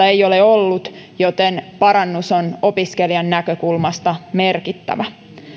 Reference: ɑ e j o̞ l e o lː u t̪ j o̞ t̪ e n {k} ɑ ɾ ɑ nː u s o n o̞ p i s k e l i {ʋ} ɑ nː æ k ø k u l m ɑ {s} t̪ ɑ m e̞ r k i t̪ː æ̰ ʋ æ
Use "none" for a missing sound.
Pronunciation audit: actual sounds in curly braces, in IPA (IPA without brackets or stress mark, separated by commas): p, none, s